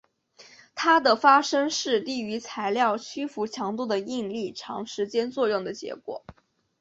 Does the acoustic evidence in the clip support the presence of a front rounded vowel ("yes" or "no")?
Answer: yes